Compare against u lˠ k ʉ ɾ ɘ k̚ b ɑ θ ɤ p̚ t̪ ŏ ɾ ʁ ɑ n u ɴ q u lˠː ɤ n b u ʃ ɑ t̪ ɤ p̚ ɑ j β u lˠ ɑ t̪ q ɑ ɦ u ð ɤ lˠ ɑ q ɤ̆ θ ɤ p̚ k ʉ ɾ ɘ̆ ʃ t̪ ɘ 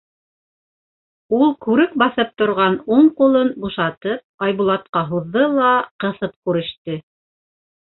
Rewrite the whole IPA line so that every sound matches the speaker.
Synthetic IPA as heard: u lˠ k ʉ ɾ ɘ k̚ b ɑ θ ɤ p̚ t̪ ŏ ɾ ʁ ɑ n u ɴ q u lˠ ɤ n b u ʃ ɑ t̪ ɤ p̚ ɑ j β u lˠ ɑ t̪ q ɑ ɦ u ðː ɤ lˠ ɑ q ɤ̆ θ ɤ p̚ k ʉ ɾ ɘ̆ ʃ t̪ ɘ